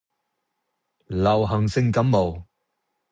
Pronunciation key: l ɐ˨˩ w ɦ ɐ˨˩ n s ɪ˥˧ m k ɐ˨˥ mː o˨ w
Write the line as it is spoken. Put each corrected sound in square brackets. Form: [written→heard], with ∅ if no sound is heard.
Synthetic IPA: l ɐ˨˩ w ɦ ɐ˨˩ [n→ŋ] s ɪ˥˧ [m→ŋ] k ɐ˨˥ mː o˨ w